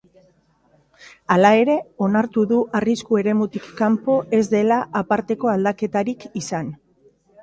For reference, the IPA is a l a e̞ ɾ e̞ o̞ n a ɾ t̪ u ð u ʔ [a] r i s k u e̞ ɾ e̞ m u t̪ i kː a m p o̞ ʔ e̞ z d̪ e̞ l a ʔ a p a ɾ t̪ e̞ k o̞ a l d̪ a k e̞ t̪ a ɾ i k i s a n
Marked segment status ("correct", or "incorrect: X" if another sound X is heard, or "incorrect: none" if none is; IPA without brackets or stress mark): correct